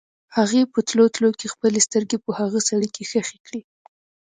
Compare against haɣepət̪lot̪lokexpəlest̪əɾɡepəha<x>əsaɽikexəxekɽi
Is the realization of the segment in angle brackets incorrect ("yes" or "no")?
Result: yes